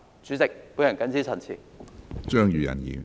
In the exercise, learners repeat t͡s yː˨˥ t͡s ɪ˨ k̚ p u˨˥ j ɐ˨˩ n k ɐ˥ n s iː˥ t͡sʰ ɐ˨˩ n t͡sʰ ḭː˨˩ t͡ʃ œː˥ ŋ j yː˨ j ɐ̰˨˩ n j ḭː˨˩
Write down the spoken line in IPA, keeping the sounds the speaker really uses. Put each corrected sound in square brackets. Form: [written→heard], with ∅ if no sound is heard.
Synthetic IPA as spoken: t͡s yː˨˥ t͡s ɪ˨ k̚ p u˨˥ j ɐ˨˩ n k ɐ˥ n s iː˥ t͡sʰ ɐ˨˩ n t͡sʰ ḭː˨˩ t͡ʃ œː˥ ŋ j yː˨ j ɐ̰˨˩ n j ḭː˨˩